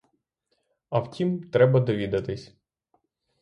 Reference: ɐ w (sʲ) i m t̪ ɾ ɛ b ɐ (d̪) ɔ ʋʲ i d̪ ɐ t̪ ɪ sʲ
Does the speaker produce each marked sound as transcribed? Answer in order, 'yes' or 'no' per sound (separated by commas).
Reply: no, yes